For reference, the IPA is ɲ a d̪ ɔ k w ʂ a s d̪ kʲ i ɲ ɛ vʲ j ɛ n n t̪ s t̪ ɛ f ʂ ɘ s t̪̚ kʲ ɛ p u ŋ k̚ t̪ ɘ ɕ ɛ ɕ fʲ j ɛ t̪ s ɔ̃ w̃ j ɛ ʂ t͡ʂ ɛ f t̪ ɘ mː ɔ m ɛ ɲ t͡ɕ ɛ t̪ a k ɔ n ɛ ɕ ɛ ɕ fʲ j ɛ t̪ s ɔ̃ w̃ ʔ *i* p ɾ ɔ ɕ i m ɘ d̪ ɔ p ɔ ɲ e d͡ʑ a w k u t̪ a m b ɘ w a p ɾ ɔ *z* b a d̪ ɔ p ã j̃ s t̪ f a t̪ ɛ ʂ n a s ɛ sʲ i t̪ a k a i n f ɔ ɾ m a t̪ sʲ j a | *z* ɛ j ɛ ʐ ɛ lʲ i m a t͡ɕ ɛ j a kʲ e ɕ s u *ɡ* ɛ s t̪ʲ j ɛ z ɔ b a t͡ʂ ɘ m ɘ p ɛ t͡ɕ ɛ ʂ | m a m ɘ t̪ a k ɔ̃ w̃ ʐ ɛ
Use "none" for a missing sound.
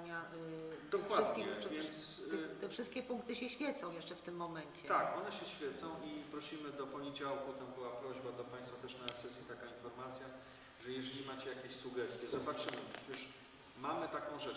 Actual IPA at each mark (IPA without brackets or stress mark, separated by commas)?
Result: i, ʑ, ʐ, ɡ